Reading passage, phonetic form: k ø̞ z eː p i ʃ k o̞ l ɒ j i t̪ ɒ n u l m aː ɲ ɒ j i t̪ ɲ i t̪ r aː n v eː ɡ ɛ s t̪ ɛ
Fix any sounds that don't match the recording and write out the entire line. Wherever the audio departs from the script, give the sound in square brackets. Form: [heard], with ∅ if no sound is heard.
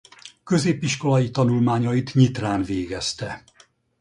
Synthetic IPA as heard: k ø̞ z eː p i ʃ k o̞ l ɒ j i t̪ ɒ n u l m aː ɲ ɒ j i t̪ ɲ i t̪ r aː n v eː ɡ ɛ s t̪ ɛ